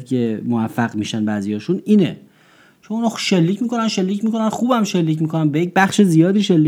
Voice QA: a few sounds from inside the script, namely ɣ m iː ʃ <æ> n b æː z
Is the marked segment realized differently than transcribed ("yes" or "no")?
no